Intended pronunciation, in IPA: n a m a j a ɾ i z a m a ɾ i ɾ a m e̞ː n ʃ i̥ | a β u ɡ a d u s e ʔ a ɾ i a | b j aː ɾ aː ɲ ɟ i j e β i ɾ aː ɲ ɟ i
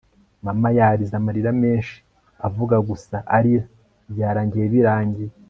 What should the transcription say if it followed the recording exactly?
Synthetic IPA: m a m a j a ɾ i z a m a ɾ i ɾ a m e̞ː n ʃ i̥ | a v u ɡ a ɡ u s a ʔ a ɾ i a | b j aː ɾ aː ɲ ɟ i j e β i ɾ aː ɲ ɟ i